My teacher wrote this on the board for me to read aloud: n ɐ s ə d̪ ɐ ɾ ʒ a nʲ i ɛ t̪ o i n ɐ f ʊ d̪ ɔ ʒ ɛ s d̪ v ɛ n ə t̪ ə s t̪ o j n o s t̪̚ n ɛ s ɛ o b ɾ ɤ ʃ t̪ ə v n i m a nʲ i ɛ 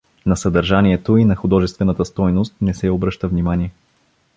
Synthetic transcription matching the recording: n ɐ s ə d̪ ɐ ɾ ʒ a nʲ i ɛ t̪ o i n ɐ x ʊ d̪ ɔ ʒ ɛ s t̪ v ɛ n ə t̪ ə s t̪ ɔ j n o s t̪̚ n ɛ s ɛ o b ɾ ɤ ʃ t̪ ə v n i m a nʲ i ɛ